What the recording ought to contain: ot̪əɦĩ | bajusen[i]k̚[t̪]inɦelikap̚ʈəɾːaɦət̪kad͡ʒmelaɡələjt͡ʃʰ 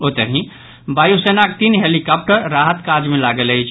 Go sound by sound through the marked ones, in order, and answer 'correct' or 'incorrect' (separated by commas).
incorrect, correct